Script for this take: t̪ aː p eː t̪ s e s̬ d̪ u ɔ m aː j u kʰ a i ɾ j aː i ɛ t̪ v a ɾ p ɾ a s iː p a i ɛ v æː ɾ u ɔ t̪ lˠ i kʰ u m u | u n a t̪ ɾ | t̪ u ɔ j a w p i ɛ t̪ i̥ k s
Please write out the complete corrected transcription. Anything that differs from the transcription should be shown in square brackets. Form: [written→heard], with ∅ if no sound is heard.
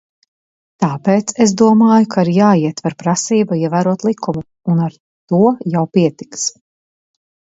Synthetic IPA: t̪ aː p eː t̪ s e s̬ d̪ u ɔ m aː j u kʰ a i ɾ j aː i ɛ t̪ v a ɾ p ɾ a s iː [p→b] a i ɛ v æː ɾ u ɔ t̪ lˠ i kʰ u m u | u n a [t̪→∅] ɾ | t̪ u ɔ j a w p i ɛ t̪ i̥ k s